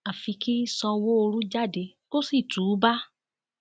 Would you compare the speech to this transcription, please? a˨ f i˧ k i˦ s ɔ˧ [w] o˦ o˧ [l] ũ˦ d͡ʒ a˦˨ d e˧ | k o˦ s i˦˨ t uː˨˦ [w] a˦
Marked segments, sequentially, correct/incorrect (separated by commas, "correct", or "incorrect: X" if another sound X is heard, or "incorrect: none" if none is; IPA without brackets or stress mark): correct, incorrect: ɾ, incorrect: b